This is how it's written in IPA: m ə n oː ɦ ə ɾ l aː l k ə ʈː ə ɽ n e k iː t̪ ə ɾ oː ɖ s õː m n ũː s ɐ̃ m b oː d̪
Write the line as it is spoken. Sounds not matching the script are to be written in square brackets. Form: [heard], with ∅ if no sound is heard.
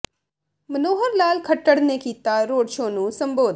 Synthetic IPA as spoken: m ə n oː ɦ ə ɾ l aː l [kʰ] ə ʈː ə ɽ n e k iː t̪ [a] ɾ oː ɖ [ʃ] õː [∅] n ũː s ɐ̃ m b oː d̪